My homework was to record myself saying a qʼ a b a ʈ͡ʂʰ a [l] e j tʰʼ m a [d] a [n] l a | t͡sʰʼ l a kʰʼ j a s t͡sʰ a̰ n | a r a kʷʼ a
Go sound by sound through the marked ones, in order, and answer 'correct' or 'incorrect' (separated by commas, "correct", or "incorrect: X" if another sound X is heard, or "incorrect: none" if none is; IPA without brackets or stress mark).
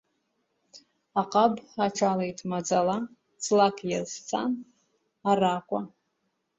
correct, incorrect: d͡z, incorrect: none